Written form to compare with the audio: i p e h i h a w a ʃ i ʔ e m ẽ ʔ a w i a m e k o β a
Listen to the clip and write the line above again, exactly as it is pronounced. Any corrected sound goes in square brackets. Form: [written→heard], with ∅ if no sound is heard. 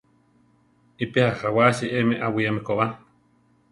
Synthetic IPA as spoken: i p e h [i→a] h a w a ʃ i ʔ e m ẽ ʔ a w i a m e k o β a